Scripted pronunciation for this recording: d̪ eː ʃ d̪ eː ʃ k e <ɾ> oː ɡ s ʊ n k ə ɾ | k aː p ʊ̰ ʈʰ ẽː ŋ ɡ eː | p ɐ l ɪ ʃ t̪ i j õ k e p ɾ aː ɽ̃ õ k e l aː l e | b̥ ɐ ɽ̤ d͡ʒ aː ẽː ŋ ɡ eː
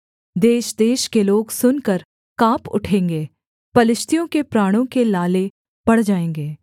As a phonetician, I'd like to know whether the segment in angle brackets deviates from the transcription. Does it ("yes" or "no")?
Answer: yes